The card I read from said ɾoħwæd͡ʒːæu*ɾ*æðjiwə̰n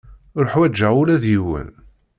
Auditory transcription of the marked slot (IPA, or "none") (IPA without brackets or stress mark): l